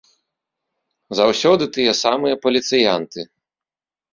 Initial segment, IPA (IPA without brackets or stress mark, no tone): z